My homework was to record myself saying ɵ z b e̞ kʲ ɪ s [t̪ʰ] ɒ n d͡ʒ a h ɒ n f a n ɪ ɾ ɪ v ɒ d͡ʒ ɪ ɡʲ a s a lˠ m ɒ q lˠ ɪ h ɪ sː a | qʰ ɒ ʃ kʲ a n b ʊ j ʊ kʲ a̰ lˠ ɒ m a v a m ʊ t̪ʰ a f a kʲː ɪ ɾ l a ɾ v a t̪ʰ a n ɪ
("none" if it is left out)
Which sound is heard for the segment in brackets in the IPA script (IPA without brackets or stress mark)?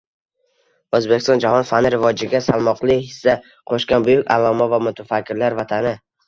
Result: t̪